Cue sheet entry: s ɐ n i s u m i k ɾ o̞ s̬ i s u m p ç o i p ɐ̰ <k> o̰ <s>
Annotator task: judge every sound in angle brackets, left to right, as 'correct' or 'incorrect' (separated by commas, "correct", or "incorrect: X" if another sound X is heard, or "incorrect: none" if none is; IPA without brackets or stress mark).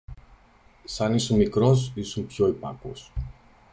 correct, correct